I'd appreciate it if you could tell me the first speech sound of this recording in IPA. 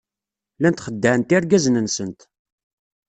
l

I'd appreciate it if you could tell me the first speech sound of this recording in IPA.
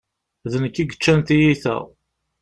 ð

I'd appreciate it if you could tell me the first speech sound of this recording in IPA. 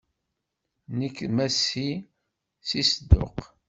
n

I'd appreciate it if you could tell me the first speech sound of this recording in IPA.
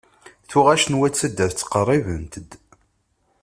θ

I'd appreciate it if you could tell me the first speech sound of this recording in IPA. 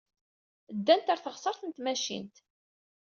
d̪ː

